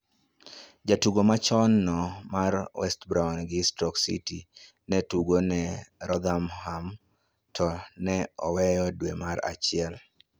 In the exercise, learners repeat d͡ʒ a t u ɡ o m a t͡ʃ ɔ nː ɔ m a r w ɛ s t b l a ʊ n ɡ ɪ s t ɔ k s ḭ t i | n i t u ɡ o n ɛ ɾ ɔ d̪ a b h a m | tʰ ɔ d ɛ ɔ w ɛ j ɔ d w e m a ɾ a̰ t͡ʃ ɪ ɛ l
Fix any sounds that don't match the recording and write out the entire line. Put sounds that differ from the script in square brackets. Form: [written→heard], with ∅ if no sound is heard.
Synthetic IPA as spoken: d͡ʒ a t u ɡ o m a t͡ʃ ɔ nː ɔ m a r w ɛ s t b [l→ɾ] a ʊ n ɡ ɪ s t ɔ k s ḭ t i | n [i→ɛ] t u ɡ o n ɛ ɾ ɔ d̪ a [b→m] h a m | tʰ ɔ [d→n] ɛ ɔ w ɛ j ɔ d w e m a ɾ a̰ t͡ʃ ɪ ɛ l